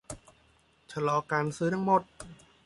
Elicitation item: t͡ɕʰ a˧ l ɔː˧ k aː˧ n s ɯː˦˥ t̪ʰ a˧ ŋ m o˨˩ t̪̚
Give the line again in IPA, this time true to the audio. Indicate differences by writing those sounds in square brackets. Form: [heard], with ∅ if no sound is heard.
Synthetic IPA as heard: t͡ɕʰ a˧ l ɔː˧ k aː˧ n s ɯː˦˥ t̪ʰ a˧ ŋ m o˨˩ t̪̚